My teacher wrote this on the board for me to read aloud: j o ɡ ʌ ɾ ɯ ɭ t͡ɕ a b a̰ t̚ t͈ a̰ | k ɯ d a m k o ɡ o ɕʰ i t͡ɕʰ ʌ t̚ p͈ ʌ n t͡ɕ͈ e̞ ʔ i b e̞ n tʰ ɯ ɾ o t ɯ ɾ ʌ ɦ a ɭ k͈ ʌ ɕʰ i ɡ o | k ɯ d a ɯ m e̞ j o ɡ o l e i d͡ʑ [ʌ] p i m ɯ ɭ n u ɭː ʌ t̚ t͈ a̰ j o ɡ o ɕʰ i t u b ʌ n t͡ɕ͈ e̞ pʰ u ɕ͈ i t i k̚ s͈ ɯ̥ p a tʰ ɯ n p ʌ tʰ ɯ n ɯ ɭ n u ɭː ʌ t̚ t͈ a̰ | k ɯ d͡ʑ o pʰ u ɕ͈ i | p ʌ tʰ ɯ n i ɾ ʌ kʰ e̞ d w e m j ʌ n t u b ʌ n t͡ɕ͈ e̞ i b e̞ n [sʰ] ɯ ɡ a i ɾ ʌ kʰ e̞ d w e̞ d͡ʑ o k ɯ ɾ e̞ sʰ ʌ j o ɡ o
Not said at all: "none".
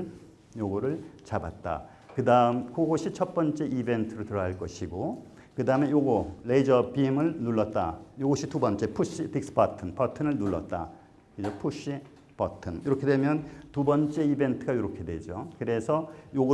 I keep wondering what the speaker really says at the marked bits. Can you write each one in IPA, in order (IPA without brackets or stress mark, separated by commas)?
ʌ, tʰ